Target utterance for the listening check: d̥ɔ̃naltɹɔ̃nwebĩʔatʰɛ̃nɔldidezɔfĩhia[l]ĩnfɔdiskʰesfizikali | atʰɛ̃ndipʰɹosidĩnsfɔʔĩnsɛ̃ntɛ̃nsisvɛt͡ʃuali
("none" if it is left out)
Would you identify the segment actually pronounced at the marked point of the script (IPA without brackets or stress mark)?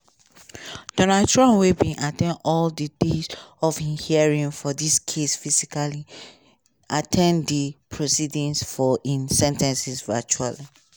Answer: ɹ